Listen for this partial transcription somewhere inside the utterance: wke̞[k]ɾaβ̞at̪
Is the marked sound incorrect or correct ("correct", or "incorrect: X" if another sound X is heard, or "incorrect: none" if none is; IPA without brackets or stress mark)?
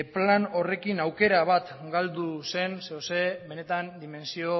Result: incorrect: none